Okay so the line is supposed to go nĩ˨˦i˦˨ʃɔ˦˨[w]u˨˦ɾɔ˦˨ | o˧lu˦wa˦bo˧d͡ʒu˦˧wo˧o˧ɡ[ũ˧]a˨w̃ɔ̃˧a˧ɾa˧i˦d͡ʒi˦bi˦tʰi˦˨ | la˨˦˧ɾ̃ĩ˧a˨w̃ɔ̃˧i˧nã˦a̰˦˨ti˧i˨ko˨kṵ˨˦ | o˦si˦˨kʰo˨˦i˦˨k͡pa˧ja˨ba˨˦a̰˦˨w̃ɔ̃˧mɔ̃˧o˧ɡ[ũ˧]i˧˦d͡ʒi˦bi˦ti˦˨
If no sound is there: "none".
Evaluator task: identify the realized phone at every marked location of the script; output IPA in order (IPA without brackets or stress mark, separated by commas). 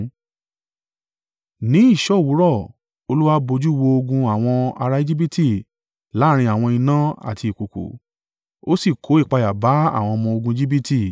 w, ũ˧, ũ˧